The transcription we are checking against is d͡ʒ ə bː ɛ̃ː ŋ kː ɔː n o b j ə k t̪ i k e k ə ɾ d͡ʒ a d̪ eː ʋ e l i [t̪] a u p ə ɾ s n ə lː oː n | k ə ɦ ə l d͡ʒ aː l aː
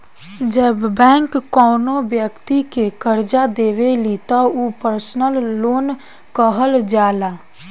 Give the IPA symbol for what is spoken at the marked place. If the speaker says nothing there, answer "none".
t̪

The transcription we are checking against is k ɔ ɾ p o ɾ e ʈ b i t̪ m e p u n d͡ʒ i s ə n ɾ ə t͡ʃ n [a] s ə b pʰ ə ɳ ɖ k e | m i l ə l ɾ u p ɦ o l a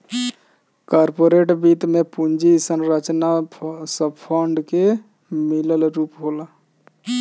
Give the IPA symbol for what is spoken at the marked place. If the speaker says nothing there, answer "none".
a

